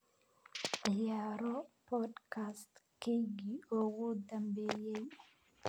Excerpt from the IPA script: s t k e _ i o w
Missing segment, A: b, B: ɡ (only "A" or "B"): B